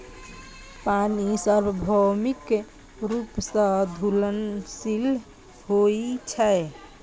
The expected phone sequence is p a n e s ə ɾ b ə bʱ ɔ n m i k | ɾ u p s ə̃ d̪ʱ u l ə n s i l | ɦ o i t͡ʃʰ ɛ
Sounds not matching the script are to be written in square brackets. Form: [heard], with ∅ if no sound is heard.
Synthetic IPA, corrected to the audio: p a n [i] s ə ɾ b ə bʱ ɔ [∅] m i k | ɾ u p s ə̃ d̪ʱ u l ə n s i l | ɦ o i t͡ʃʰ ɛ